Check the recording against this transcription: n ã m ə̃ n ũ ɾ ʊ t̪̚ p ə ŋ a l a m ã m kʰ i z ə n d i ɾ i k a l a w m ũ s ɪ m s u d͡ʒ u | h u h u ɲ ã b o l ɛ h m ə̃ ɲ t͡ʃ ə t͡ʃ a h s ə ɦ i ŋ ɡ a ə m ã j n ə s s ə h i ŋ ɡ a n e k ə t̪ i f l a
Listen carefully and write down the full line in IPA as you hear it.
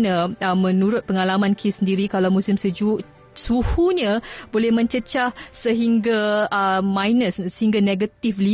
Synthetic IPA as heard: n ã m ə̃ n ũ ɾ ʊ t̪̚ p ə ŋ a l a m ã n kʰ i s ə n d i ɾ i k a l a w m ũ s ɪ m s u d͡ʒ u | s u h u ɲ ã b o l ɛ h m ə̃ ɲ t͡ʃ ə t͡ʃ a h s ə ɦ i ŋ ɡ a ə m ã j n ə s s ə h i ŋ ɡ a n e ɡ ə t̪ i f l i